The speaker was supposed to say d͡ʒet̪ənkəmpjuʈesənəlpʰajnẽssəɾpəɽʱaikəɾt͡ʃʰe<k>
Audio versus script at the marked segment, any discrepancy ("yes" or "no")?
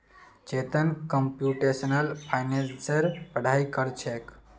no